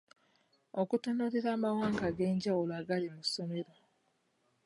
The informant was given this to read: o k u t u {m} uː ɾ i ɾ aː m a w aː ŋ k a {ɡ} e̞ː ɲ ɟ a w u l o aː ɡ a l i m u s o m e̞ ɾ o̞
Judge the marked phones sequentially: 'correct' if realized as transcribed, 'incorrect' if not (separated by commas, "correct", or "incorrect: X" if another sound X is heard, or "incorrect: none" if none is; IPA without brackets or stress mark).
incorrect: n, correct